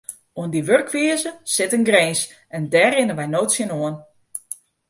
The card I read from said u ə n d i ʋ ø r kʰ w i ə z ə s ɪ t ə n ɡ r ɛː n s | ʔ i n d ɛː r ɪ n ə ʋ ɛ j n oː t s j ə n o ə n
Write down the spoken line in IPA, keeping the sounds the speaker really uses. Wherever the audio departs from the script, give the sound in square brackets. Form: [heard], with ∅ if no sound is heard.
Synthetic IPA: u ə n d i ʋ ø r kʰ [ʋ] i ə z ə s ɪ t ə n ɡ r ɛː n s | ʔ [ɛ] n d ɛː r ɪ n ə ʋ ɛ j n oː t s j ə n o ə n